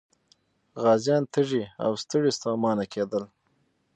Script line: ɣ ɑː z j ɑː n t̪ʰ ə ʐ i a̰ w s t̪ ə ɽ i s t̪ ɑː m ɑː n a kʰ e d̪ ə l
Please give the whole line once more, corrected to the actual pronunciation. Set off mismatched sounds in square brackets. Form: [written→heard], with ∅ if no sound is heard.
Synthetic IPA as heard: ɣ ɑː z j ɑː n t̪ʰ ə ʐ i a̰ w s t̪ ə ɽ i s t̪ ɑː m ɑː n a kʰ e d̪ ə l